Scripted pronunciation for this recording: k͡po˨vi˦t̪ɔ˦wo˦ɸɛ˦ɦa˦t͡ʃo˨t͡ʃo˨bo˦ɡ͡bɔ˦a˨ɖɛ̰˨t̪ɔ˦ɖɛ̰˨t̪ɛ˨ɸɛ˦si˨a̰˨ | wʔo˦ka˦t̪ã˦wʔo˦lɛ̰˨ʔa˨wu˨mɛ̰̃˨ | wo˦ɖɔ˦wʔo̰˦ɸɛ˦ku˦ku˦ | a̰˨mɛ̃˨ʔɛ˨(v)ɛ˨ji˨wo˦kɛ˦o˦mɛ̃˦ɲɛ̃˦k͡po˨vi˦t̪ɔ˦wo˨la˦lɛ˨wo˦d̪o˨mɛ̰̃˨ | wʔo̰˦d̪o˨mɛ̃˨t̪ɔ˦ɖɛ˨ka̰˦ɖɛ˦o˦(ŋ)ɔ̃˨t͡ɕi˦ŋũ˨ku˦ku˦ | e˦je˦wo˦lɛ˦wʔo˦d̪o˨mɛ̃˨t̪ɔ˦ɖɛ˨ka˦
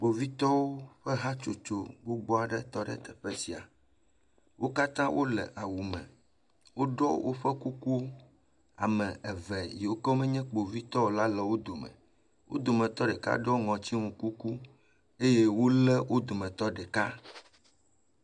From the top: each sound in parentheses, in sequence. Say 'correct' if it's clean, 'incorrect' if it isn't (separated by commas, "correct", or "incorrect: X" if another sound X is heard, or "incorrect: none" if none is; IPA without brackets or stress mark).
correct, correct